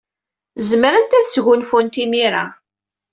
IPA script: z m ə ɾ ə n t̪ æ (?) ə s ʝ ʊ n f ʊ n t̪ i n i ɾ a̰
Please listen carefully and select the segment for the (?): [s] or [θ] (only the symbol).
θ